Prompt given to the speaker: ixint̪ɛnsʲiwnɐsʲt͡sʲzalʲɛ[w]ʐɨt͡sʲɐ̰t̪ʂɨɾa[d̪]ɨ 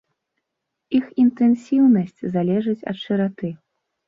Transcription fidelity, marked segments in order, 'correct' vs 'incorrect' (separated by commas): incorrect, incorrect